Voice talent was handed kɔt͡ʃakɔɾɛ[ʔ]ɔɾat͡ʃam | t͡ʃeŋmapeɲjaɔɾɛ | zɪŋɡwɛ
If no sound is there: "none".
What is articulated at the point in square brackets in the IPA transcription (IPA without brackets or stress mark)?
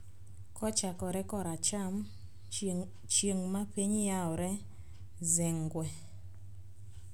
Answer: k